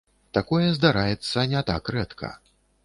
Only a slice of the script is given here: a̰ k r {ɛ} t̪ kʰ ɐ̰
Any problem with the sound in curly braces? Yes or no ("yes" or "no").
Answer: no